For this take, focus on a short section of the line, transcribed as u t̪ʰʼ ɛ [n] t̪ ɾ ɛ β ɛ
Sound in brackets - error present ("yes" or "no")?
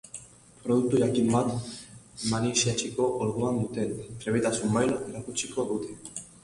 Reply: no